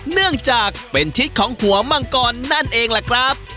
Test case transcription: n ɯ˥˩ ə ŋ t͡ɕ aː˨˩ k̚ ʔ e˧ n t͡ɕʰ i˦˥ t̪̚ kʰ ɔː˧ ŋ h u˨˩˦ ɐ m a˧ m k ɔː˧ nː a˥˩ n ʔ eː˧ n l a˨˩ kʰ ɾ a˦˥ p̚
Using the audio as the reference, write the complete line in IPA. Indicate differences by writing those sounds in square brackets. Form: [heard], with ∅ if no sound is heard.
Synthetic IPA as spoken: n ɯ˥˩ ə ŋ t͡ɕ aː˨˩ k̚ [p] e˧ n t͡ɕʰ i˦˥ t̪̚ kʰ [ɔː˩˦] ŋ h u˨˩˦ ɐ m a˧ [ŋ] k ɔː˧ nː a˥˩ n ʔ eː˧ [ŋ] l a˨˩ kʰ ɾ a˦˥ p̚